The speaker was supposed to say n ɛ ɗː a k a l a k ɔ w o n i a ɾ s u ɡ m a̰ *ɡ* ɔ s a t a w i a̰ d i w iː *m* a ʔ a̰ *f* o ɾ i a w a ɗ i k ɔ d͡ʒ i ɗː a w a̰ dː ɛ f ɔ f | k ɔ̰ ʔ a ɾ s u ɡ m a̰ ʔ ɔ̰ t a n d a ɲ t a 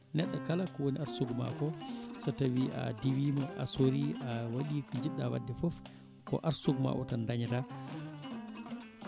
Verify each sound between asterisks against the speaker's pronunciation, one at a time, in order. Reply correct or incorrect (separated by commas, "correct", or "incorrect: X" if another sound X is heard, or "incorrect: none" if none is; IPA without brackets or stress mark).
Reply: incorrect: k, correct, incorrect: s